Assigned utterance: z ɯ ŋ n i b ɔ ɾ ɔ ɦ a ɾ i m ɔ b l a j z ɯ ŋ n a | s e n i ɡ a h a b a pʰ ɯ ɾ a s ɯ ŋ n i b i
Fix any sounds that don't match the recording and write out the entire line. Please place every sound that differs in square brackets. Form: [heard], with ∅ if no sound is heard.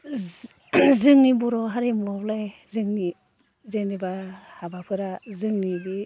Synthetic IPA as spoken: z ɯ ŋ n i b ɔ ɾ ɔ ɦ a ɾ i m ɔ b l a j z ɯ ŋ n [i] | [z] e n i [b] a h a b a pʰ ɯ ɾ a [z] ɯ ŋ n i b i